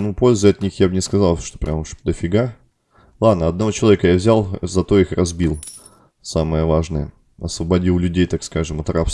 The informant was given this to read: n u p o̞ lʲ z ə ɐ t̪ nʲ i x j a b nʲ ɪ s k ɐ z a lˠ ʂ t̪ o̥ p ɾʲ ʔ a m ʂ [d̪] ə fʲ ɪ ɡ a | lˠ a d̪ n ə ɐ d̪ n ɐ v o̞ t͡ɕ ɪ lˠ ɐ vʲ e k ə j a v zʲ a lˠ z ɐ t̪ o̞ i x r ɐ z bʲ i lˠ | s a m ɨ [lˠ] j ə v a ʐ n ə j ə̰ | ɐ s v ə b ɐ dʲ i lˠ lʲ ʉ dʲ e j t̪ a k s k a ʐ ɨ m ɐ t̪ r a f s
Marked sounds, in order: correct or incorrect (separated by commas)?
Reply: correct, incorrect